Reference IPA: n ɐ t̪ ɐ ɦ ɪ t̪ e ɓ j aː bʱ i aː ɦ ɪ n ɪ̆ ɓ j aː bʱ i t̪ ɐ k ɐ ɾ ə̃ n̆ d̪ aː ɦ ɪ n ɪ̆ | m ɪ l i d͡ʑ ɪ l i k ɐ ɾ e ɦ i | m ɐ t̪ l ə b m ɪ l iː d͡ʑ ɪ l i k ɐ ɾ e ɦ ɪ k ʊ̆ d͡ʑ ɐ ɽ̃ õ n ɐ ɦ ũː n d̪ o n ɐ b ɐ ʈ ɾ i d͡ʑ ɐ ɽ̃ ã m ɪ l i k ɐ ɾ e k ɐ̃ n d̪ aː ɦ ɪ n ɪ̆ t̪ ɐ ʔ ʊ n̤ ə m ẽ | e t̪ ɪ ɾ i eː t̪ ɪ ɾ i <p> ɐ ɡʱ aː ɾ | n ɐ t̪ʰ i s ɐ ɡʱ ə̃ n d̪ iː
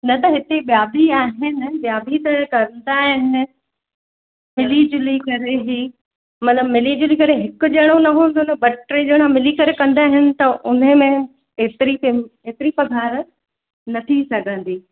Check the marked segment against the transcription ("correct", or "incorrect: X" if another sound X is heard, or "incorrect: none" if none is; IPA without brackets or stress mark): correct